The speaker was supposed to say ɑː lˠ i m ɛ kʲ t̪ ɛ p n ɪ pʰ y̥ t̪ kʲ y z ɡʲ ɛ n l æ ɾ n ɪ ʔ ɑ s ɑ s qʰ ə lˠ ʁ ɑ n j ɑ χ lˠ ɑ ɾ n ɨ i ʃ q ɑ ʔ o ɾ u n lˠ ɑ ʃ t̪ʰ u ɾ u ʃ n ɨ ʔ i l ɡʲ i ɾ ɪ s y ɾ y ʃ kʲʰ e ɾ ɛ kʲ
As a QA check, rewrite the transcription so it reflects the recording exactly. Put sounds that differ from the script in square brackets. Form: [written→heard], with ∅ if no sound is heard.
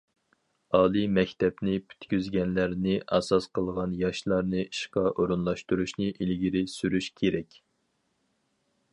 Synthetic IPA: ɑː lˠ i m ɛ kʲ t̪ ɛ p n ɪ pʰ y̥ t̪ kʲ y z ɡʲ ɛ n l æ ɾ n ɪ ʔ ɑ s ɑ s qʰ ə lˠ ʁ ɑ n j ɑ [χ→ʃ] lˠ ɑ ɾ n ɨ i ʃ q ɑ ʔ o ɾ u n lˠ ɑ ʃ [t̪ʰ→t̪] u ɾ u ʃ n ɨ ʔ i l ɡʲ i ɾ ɪ s y ɾ y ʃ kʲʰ e ɾ ɛ kʲ